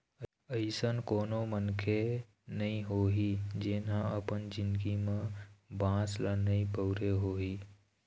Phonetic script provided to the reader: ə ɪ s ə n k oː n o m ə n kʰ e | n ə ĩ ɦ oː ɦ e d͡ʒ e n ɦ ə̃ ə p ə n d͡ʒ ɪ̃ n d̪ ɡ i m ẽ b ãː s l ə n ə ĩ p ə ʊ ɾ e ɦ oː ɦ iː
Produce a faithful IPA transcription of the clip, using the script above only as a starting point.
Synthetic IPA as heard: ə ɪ s ə n k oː n o m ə n kʰ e | n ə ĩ ɦ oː ɦ i d͡ʒ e n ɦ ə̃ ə p ə n d͡ʒ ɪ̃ n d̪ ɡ i m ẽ b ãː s l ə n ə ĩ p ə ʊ ɾ e ɦ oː ɦ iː